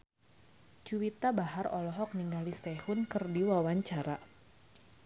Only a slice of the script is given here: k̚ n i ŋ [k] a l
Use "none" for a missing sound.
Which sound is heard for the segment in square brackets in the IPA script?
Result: ɡ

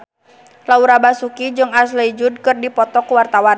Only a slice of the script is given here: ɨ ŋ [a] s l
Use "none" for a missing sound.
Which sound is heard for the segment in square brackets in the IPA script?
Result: a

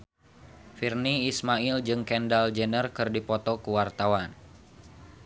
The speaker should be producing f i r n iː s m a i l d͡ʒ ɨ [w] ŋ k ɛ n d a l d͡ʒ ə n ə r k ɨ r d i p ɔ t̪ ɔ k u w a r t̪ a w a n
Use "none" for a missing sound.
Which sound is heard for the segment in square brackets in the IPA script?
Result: none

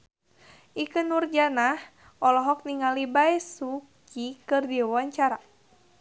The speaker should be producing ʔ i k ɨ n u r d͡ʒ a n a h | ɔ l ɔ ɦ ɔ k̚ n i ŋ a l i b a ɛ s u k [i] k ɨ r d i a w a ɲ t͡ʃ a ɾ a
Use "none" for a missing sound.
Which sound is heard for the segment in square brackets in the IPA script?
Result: i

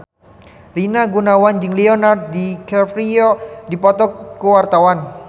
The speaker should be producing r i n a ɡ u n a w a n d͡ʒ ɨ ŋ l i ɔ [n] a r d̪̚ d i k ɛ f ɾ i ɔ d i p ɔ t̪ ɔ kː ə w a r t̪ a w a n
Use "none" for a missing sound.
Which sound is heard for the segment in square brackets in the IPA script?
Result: n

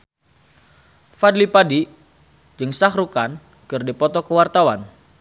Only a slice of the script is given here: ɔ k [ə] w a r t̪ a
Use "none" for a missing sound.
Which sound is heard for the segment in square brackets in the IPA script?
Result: ə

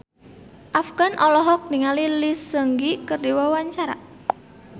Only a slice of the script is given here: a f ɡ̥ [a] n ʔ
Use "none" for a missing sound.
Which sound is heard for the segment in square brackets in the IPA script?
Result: a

